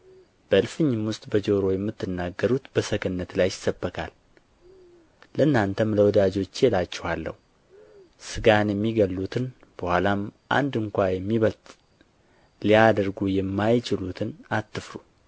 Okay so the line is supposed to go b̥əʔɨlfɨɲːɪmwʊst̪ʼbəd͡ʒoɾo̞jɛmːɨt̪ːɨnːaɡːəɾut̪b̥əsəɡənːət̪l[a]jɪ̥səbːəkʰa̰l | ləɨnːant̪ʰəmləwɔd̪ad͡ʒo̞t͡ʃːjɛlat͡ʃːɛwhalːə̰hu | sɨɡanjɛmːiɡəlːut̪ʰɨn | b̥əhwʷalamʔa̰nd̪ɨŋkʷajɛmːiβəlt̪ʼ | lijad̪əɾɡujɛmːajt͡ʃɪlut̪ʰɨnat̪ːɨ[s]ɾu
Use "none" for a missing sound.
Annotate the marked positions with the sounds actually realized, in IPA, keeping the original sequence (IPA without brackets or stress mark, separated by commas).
a, f